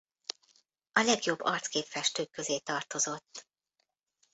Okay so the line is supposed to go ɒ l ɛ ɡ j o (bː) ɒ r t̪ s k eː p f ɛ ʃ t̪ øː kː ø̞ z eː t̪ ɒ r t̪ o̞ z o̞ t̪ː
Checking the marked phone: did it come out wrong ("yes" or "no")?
no